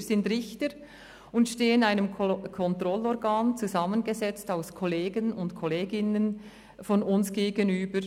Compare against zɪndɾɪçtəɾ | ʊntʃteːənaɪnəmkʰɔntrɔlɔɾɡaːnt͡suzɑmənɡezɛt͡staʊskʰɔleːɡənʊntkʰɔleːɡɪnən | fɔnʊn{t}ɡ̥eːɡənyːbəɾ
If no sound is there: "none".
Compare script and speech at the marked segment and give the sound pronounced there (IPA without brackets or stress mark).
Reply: s